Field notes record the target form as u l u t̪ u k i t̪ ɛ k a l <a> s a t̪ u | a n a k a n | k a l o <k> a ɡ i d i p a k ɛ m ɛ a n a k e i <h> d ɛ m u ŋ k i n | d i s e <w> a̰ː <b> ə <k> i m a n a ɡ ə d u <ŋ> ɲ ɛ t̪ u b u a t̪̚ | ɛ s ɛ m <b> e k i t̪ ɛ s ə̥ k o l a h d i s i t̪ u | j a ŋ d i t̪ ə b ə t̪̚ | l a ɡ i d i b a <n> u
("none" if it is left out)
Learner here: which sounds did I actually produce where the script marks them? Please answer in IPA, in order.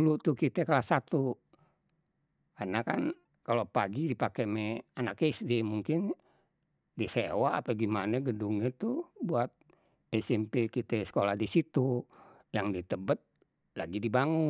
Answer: a, p, s, w, p, ɡ, ŋ, p, ŋ

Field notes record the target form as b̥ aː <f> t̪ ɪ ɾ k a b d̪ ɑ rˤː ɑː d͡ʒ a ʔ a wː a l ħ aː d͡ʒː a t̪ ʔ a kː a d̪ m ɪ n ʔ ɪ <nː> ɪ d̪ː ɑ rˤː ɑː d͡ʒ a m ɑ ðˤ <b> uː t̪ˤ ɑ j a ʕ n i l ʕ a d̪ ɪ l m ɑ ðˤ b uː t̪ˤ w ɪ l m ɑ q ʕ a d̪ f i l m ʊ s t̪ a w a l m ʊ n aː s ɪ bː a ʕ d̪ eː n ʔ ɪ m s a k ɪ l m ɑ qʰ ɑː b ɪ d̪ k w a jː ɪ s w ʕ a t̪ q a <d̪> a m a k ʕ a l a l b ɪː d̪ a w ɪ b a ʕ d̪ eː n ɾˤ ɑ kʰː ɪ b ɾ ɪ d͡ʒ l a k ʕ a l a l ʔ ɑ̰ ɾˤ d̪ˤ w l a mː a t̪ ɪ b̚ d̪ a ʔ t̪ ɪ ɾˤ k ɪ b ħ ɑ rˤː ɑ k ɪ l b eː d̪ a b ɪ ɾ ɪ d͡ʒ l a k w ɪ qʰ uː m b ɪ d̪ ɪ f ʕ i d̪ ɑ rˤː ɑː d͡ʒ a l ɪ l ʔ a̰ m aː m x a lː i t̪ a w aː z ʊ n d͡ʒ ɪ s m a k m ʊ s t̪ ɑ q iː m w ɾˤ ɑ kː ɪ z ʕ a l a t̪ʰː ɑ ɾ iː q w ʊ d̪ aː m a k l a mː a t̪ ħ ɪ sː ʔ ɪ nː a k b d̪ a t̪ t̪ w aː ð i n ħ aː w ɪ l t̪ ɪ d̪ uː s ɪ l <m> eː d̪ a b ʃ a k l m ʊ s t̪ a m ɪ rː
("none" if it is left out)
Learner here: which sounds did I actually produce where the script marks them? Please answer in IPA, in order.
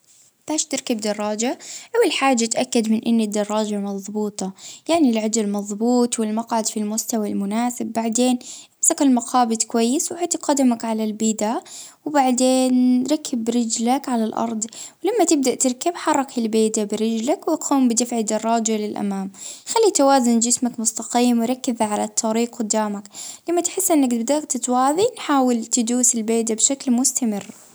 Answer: ʃ, nː, b, d̪, b

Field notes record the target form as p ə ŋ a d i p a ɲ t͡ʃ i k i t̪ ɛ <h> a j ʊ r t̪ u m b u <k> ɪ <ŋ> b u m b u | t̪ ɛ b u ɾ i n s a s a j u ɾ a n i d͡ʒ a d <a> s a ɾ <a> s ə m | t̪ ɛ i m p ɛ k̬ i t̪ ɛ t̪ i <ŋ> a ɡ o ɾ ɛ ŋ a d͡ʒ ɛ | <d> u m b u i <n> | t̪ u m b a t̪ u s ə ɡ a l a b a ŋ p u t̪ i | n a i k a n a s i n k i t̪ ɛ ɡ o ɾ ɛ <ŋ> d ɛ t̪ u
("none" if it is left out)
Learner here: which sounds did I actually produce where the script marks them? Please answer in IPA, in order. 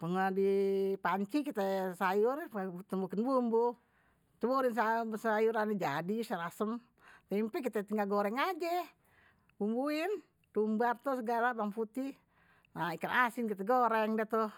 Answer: s, k, n, i, a, ŋ, b, n, ŋ

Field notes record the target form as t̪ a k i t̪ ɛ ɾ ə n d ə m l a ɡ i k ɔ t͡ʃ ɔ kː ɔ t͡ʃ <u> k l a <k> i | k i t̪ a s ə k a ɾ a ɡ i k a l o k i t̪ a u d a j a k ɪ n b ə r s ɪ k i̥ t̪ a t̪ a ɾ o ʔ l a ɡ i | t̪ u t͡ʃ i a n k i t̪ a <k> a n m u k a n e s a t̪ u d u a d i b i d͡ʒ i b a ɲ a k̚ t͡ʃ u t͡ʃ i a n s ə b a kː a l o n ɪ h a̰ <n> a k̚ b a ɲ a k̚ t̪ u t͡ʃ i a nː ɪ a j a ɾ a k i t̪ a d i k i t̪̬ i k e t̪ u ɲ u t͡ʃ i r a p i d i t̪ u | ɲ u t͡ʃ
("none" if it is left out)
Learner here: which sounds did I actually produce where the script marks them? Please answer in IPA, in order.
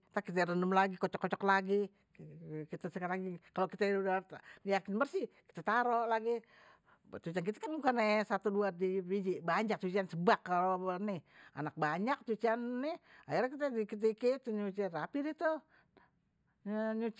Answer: ɔ, ɡ, k, n

